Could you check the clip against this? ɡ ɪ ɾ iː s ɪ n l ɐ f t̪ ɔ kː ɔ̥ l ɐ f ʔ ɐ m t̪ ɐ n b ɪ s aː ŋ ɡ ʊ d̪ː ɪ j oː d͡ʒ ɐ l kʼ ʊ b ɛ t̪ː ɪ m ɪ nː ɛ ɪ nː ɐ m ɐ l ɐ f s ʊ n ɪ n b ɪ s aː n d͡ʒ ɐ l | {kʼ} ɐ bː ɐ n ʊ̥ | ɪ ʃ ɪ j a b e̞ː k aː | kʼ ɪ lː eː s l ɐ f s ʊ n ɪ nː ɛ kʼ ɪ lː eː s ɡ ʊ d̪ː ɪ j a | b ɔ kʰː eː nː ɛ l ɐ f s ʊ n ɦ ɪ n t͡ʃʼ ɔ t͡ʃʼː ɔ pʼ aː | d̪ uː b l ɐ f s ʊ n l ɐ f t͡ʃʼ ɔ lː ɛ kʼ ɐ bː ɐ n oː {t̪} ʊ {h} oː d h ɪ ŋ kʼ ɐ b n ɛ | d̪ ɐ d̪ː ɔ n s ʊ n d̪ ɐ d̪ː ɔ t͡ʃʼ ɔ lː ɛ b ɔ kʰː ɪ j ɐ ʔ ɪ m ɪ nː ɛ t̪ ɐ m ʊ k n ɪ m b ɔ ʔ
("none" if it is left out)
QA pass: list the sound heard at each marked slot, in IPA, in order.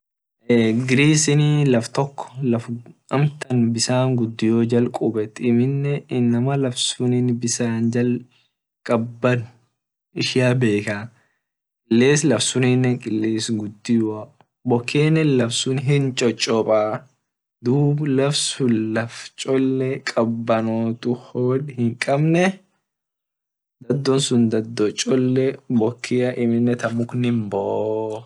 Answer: kʼ, t̪, h

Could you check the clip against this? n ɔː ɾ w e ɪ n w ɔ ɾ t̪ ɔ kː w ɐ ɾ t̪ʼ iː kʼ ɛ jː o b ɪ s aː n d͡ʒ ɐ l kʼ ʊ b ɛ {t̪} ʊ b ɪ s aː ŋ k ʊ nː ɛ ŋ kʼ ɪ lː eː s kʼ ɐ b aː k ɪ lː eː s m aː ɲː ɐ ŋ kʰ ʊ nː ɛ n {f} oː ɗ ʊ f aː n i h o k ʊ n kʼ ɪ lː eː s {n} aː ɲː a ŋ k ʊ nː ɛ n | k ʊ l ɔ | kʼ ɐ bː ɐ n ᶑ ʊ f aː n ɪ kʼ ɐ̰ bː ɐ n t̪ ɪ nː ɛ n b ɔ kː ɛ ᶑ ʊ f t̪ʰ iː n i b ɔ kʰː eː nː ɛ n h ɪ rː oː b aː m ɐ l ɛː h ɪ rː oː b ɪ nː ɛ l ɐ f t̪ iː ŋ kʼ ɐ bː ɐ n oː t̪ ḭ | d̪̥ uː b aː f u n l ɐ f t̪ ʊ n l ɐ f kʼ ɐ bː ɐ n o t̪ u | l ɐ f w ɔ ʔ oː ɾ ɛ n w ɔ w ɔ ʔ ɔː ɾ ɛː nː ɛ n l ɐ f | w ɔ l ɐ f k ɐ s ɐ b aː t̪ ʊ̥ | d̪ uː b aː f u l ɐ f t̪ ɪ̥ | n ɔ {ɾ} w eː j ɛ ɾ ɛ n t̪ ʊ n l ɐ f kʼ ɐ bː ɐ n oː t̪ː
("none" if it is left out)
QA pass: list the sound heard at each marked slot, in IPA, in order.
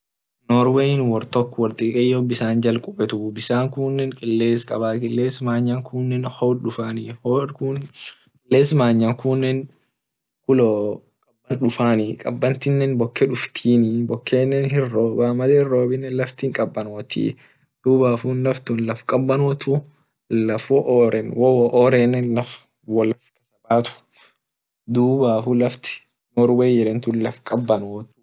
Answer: t̪, h, m, ɾ

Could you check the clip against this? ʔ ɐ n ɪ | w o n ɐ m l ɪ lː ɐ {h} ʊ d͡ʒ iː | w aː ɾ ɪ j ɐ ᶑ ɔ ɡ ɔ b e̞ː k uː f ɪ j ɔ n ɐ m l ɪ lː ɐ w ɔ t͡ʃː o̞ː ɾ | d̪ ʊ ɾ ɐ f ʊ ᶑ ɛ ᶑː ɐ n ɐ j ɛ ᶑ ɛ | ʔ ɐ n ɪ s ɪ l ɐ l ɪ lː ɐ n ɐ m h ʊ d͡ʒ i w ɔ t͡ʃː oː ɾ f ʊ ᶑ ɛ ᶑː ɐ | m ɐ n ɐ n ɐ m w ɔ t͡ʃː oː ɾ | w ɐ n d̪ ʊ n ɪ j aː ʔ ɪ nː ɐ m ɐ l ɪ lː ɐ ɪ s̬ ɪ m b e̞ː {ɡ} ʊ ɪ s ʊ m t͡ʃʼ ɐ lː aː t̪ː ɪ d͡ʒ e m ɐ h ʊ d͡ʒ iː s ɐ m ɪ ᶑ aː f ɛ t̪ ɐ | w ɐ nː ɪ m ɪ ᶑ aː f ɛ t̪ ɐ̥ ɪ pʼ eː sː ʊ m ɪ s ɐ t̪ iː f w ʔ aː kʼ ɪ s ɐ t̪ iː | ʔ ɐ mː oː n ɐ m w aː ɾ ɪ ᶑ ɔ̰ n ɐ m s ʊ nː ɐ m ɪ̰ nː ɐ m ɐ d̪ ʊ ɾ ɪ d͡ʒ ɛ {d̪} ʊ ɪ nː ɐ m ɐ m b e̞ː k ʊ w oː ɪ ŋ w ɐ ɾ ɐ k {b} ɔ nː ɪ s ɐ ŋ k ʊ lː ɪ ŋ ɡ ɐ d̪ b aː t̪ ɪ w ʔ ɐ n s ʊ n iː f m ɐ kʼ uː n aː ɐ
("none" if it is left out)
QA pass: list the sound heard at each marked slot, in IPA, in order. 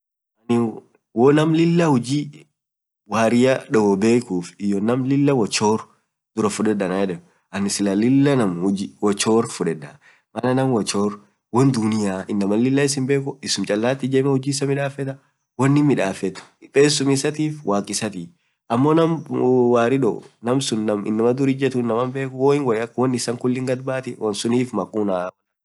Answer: h, k, t̪, w

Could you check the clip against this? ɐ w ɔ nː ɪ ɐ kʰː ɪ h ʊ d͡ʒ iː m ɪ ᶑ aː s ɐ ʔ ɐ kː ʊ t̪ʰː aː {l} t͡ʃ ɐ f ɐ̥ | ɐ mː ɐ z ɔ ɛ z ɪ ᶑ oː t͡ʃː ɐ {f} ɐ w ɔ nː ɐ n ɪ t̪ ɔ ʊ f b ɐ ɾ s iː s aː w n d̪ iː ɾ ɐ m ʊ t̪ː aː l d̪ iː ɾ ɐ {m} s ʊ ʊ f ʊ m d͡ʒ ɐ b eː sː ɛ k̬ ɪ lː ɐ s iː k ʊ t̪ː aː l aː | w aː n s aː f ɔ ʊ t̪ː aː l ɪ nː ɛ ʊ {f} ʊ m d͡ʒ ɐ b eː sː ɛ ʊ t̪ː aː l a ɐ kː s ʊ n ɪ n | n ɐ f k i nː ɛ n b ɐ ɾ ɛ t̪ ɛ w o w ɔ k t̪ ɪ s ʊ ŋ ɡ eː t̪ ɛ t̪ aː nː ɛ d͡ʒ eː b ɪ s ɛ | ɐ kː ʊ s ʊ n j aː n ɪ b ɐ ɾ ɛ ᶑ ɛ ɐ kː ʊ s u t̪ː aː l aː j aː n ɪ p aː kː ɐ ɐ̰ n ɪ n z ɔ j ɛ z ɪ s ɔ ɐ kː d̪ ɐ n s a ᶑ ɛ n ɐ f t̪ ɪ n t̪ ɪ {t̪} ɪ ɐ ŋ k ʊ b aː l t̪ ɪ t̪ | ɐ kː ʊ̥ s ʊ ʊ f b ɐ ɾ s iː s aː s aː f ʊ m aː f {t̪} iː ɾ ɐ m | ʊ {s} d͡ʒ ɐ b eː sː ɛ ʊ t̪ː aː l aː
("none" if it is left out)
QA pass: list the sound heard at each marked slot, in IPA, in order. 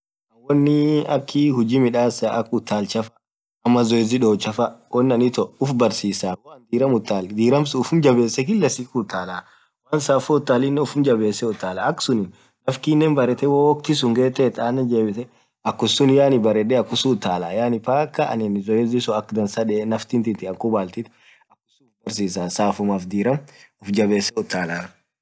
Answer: l, f, m, f, t̪, d̪, f

